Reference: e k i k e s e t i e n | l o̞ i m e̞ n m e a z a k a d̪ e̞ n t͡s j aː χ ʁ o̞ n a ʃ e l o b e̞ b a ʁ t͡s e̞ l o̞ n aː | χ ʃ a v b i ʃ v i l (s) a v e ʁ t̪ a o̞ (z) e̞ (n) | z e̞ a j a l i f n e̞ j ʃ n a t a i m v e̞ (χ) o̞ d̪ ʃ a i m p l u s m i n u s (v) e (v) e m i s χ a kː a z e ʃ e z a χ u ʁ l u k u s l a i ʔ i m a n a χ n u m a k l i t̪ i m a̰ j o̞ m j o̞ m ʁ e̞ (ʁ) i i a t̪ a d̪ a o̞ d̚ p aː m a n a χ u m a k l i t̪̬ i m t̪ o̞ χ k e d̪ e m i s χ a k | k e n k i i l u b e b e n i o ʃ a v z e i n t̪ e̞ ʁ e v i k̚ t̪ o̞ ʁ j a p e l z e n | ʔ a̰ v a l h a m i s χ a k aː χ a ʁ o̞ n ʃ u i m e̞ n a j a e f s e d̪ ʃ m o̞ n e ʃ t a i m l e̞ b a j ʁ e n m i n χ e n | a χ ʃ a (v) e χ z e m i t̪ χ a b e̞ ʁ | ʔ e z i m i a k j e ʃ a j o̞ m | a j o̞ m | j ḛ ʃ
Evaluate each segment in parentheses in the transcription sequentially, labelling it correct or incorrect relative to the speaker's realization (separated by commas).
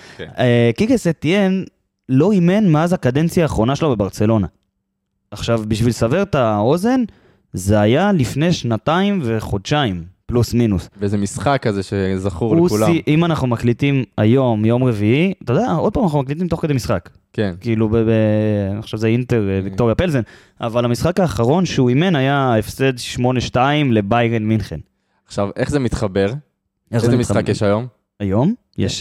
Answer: correct, correct, correct, correct, correct, incorrect, incorrect, correct